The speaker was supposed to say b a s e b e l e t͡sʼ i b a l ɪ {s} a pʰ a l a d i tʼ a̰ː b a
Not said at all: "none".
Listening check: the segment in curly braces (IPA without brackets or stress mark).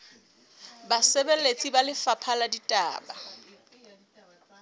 f